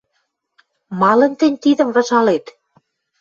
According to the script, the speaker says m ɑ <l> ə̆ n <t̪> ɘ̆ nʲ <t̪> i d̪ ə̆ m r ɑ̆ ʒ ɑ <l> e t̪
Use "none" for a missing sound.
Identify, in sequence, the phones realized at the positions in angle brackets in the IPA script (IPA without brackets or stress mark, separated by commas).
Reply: l, t̪, t̪, l